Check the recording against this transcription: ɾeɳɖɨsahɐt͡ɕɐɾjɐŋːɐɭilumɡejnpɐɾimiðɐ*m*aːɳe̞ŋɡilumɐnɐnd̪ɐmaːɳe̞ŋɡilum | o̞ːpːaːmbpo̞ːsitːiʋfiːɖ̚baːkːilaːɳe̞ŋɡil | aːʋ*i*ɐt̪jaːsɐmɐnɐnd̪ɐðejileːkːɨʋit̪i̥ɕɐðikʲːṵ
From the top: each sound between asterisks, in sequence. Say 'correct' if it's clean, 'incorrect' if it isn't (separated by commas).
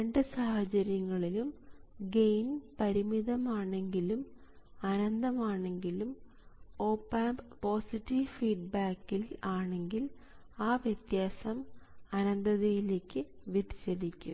correct, incorrect